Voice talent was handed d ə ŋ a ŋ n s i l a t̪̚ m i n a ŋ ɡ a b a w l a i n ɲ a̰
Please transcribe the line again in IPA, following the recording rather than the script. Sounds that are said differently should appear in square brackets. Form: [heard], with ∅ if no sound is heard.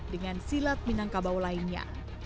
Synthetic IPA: d ə ŋ a [∅] n s i l a t̪̚ m i n a ŋ [k] a b a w l a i n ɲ a̰